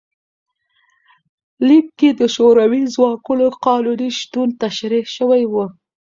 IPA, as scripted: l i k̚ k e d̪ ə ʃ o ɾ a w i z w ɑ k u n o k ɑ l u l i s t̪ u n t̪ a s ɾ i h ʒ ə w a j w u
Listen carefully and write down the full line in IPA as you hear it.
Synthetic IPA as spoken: l i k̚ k e d̪ ə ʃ o ɾ a w i z w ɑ k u n o q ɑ l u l i ʃ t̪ u n t̪ a ʃ ɾ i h ʃ ə w a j w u